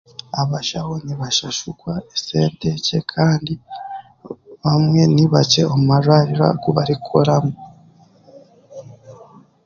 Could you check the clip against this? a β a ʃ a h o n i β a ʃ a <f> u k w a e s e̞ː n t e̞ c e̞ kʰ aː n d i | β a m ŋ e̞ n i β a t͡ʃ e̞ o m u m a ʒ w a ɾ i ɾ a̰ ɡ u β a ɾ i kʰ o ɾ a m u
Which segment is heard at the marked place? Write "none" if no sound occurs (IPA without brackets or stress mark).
ʃ